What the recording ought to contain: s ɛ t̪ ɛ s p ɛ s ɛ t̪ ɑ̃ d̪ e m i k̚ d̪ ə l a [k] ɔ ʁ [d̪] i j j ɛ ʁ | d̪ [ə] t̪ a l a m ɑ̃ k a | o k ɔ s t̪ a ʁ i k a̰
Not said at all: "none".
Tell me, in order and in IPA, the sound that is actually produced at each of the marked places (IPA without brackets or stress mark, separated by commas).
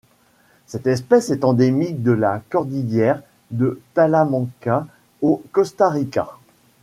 k, d̪, ə